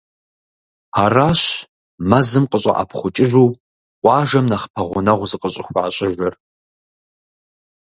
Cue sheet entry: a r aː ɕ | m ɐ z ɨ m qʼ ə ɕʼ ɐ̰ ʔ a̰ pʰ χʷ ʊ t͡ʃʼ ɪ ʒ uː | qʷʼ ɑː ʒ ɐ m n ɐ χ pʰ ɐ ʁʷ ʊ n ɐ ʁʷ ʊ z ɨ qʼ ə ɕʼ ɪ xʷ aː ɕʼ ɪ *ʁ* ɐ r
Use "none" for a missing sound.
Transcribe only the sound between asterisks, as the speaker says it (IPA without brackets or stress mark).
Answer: ʒ